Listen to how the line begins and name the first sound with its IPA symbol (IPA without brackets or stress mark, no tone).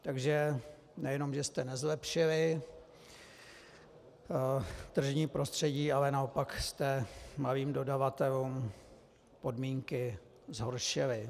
t̪